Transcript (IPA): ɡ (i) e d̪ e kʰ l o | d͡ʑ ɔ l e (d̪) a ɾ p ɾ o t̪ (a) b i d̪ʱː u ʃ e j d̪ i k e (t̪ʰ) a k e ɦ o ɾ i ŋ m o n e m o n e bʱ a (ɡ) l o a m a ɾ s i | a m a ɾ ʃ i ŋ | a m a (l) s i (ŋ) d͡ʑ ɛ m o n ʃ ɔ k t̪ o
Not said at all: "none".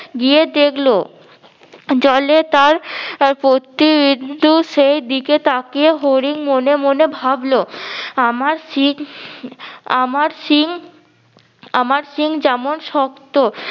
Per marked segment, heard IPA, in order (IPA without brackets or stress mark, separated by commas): i, t̪, i, t̪, b, ɾ, ŋ